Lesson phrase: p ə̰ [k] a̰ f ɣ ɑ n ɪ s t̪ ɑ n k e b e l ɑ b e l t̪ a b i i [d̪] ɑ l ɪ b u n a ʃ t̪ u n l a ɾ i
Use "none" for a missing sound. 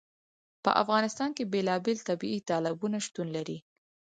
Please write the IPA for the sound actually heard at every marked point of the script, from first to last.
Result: ʔ, t̪

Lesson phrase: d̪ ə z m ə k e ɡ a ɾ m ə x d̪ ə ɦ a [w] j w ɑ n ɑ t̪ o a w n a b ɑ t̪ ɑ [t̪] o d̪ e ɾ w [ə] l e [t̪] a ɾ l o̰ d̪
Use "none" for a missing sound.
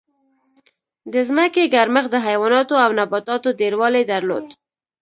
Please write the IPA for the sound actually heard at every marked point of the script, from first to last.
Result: none, t̪, ɑ, d̪

